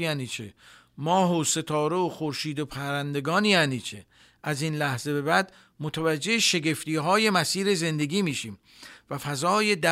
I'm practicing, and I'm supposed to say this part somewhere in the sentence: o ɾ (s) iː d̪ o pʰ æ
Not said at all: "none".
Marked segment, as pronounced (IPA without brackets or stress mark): ʃ